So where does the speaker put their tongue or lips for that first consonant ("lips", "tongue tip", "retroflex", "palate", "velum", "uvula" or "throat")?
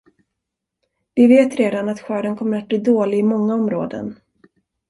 lips